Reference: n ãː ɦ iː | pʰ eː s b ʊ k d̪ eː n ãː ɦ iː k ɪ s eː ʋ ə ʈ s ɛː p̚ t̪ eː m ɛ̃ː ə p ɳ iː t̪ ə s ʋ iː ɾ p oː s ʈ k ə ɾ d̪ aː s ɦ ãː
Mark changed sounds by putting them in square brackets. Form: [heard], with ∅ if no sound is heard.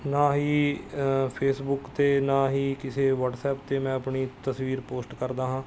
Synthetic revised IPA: n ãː ɦ iː | pʰ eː s b ʊ k [t̪] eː n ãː ɦ iː k ɪ s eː ʋ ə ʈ s ɛː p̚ t̪ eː m ɛ̃ː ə p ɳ iː t̪ ə s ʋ iː ɾ p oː s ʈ k ə ɾ d̪ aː [∅] ɦ ãː